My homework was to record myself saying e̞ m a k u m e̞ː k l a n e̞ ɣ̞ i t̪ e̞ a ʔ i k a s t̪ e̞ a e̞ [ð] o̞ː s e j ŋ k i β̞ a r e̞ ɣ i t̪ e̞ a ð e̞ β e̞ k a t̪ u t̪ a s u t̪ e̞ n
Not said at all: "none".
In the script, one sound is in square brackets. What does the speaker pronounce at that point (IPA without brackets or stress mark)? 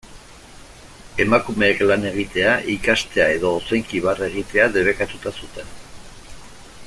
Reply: ð